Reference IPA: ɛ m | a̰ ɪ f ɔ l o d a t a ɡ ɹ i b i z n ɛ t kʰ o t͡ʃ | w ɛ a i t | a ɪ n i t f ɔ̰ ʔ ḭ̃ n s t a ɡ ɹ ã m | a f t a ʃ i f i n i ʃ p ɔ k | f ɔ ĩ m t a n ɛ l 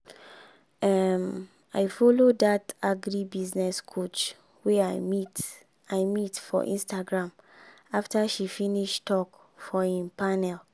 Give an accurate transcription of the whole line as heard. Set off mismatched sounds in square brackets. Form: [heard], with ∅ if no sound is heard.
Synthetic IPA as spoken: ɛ m | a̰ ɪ f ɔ l o d a t a ɡ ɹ i b i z n ɛ [s] kʰ o t͡ʃ | w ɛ a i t | a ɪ [m] i t f ɔ̰ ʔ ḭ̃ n s t a ɡ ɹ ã m | a f t a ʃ i f i n i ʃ [t] ɔ k | f ɔ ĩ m [p] a n ɛ l